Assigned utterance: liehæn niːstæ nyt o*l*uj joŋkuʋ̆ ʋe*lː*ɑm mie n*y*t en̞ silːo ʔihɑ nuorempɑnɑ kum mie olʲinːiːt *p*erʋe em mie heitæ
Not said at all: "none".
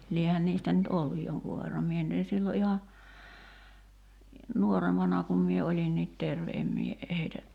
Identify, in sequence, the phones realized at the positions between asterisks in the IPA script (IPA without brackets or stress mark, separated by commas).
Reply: lː, rː, y, t